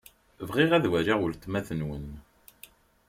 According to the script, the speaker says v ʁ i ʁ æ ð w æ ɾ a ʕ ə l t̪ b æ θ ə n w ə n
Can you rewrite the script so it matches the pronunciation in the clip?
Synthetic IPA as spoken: v ʁ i ʁ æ ð w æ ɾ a ʁ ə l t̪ m æ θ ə n w ə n